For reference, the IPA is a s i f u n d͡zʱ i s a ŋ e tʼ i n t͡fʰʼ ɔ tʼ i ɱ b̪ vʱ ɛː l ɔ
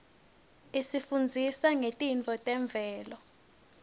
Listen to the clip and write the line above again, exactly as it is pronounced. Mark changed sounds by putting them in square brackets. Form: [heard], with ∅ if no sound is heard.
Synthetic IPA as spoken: [i] s i f u n d͡zʱ i s a ŋ e tʼ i n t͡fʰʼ ɔ tʼ [ɛ] ɱ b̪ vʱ ɛː l ɔ